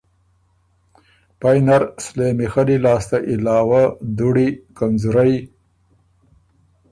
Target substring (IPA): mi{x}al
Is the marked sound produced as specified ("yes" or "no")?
yes